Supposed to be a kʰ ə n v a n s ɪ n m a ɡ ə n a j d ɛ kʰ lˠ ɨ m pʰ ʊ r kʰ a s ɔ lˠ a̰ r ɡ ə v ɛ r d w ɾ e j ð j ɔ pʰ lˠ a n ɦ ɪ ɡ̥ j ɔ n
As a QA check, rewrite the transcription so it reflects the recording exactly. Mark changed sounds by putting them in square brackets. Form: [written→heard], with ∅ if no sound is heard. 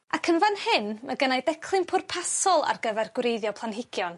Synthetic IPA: a kʰ ə n v a n [s→h] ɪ n m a ɡ ə n a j d ɛ kʰ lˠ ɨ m pʰ ʊ r [kʰ→pʰ] a s ɔ lˠ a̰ r ɡ ə v ɛ r [d→ɡ] w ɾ e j ð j ɔ pʰ lˠ a n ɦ ɪ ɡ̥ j ɔ n